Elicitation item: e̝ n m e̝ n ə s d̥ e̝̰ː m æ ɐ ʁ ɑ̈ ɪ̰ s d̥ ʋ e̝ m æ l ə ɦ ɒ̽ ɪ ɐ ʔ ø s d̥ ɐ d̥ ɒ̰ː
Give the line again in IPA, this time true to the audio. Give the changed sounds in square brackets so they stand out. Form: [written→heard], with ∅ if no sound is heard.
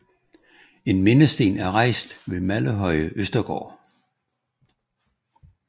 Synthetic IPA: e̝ n m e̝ n ə s d̥ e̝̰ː [m→n] æ ɐ ʁ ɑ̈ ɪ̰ s d̥ ʋ e̝ m æ l ə ɦ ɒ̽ ɪ [ɐ→ə] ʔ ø s d̥ ɐ [d̥→ɡ̥] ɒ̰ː